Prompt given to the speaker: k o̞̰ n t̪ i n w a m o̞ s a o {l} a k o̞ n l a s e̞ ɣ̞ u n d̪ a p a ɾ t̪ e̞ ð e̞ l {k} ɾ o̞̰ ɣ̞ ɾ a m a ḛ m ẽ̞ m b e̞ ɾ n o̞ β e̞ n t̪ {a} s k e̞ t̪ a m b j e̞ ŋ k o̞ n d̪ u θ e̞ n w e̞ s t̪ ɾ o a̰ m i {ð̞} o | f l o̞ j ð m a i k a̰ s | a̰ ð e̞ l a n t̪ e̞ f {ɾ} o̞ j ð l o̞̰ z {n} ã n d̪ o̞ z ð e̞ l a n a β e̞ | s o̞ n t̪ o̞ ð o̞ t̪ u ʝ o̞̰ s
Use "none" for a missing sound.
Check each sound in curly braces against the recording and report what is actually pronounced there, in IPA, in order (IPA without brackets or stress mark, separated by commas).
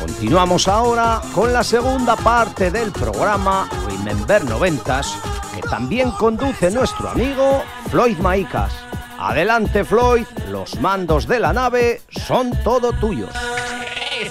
ɾ, p, a, ɣ̞, l, m